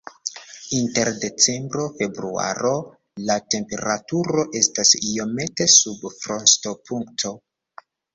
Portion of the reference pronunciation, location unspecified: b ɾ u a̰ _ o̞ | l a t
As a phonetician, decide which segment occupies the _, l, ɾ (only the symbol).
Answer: ɾ